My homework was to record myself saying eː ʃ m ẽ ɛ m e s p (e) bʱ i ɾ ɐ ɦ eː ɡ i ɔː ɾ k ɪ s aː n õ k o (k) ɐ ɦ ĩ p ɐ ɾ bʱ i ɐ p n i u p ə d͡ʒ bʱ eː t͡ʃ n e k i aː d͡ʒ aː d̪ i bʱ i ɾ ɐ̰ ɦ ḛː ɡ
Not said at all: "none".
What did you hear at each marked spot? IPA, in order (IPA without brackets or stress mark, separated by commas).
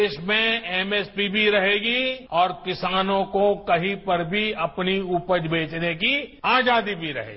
i, k